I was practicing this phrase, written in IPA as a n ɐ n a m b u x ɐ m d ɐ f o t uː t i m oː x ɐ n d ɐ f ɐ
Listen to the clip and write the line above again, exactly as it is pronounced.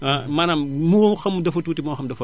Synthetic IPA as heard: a m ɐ n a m m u x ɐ m d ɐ f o t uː t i m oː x ɐ m d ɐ f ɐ